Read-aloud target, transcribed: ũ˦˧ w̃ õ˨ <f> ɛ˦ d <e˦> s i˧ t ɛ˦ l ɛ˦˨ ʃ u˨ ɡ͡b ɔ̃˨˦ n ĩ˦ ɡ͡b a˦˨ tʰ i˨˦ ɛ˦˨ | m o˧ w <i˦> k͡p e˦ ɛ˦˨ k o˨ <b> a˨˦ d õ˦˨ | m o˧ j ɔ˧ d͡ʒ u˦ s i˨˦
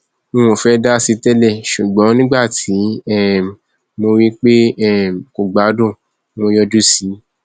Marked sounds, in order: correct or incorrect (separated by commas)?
correct, incorrect, correct, incorrect